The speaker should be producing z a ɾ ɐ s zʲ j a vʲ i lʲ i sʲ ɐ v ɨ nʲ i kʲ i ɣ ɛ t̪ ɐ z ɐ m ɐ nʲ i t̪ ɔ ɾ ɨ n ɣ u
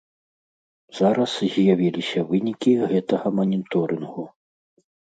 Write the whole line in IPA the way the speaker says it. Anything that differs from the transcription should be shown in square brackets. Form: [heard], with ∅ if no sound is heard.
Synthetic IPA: z a ɾ ɐ s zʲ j a vʲ i lʲ i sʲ ɐ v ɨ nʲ i kʲ i ɣ ɛ t̪ ɐ [ɣ] ɐ m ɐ nʲ i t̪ ɔ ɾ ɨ n ɣ u